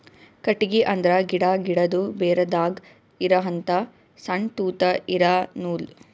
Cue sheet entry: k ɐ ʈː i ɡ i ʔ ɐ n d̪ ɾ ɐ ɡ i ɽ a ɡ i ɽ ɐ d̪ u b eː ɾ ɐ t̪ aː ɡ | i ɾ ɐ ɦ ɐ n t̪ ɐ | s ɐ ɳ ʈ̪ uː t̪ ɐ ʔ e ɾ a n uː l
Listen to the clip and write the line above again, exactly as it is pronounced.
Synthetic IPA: k ɐ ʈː i ɡ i ʔ ɐ n d̪ ɾ ɐ ɡ i ɽ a ɡ i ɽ ɐ d̪ u b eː ɾ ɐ d̪ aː ɡ | i ɾ ɐ ɦ ɐ n t̪ ɐ | s ɐ ɳ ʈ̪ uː t̪ ɐ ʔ i ɾ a n uː l